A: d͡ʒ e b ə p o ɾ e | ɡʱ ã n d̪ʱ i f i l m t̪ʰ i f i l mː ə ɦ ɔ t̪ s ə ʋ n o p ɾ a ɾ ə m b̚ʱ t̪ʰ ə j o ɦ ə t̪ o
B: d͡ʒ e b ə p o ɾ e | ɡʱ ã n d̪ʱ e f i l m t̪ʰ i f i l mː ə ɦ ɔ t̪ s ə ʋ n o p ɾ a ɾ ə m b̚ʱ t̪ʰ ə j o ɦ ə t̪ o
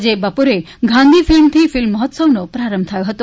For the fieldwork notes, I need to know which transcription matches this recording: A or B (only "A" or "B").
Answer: A